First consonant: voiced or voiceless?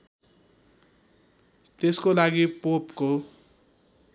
voiceless